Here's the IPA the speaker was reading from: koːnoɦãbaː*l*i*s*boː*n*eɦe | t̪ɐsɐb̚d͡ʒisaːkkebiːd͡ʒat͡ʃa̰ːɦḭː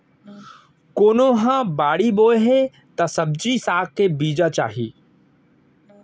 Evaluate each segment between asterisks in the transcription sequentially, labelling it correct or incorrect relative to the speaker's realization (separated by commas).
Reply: incorrect, incorrect, incorrect